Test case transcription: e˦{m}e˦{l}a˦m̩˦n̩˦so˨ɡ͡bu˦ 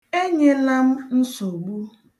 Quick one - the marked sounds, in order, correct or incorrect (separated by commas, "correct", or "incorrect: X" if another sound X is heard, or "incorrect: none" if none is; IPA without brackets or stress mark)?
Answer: incorrect: ɲ, correct